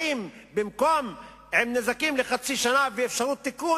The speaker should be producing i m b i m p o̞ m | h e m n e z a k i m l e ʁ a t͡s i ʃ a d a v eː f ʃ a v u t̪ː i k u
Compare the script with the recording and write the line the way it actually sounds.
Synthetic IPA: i m b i m k o̞ m | h e m n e z a k i m l e χ a t͡s i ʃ a n a v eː f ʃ a ʁ u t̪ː i k u